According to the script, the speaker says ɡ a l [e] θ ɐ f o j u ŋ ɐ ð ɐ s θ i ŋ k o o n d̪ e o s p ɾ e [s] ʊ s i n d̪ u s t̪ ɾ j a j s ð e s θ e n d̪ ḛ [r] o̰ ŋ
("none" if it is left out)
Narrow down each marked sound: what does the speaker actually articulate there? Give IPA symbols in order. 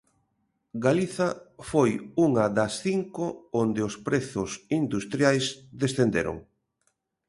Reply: i, θ, ɾ

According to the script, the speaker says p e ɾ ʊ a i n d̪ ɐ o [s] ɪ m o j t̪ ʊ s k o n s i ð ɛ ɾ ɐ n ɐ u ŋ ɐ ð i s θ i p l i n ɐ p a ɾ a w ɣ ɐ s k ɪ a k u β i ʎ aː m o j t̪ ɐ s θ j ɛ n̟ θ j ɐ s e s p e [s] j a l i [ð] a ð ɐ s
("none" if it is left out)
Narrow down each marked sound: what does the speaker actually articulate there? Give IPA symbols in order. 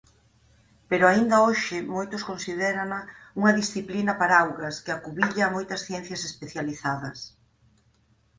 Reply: ʃ, θ, θ

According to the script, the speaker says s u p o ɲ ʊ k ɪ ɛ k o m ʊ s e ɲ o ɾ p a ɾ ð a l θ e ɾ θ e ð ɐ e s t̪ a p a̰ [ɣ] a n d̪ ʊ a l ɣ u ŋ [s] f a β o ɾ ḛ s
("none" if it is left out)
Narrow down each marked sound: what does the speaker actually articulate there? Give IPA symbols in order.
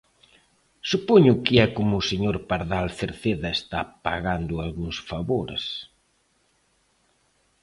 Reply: ɣ, s

